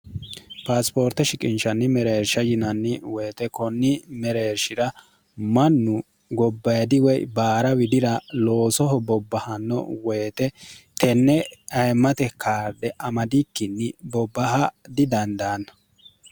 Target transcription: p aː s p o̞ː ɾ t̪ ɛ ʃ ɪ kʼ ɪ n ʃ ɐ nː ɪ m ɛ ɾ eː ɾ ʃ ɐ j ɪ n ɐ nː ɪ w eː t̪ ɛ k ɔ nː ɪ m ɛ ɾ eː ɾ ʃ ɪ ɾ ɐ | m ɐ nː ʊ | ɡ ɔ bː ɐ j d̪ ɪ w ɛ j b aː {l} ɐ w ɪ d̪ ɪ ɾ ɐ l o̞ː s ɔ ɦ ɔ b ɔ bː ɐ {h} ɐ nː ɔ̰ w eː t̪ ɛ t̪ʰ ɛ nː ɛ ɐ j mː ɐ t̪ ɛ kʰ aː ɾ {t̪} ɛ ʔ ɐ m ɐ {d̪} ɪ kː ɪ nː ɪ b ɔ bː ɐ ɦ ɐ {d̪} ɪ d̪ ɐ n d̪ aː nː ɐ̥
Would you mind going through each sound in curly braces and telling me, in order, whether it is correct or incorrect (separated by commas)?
incorrect, correct, incorrect, correct, correct